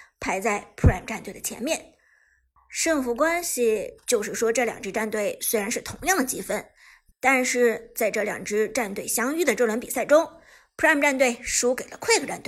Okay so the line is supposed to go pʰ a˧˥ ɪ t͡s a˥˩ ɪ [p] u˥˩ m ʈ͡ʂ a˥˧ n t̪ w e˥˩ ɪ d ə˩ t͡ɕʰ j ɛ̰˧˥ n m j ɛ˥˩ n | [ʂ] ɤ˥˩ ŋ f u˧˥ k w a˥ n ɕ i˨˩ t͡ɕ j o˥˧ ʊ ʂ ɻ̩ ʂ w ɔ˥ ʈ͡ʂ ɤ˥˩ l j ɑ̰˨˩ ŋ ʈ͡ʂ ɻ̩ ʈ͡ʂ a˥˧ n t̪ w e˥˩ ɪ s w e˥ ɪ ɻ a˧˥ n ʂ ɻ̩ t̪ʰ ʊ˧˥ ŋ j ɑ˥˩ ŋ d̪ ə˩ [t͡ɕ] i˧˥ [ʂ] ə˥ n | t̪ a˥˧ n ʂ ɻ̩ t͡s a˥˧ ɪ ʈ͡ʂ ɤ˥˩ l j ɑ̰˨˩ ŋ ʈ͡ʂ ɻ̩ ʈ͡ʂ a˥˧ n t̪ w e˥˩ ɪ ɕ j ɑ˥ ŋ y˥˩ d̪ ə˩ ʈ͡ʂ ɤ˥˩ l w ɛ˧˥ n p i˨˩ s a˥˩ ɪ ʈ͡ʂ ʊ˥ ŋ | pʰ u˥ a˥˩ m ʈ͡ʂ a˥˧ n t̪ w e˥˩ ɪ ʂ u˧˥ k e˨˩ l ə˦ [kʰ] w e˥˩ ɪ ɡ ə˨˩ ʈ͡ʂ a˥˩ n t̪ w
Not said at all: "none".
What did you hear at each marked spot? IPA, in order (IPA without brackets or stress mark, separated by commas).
pʰ, ʂ, t͡ɕ, f, kʰ